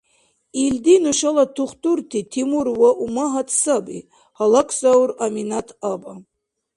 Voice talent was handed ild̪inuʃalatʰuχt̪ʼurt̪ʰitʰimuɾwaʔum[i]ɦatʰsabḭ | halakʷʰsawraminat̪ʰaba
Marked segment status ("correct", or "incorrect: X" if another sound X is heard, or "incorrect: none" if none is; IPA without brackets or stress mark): incorrect: a